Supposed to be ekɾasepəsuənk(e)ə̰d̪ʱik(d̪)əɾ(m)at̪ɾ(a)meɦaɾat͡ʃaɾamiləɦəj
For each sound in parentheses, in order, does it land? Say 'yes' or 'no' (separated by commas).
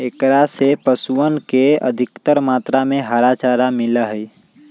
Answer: yes, no, yes, yes